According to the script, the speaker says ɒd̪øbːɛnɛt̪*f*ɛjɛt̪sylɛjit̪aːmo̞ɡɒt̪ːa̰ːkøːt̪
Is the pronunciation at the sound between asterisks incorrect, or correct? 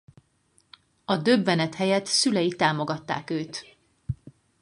incorrect: h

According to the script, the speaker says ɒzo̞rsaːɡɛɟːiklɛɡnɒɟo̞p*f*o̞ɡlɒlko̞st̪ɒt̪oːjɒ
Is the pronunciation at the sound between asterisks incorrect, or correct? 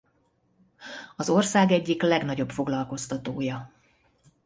correct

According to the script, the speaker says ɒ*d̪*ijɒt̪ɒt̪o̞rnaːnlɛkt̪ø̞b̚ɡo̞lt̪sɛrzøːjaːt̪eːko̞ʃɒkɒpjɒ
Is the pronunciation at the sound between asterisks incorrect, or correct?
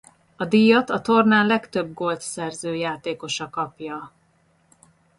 correct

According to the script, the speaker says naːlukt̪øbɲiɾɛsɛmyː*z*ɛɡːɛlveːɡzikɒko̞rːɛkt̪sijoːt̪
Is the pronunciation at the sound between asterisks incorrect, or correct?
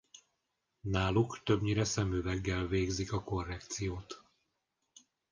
incorrect: v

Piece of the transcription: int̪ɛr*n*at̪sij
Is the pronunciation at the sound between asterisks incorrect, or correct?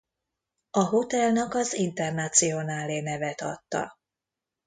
correct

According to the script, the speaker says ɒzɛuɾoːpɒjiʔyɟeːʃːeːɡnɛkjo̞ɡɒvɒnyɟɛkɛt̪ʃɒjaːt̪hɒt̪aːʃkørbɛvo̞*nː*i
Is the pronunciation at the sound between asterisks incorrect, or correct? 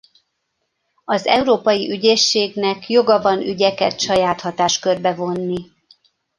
correct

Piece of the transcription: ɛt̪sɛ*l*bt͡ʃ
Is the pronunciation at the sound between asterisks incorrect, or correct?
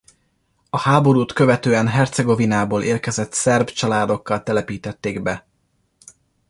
incorrect: r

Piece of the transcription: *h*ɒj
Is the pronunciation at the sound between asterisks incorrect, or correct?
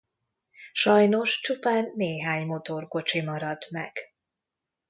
incorrect: ʃ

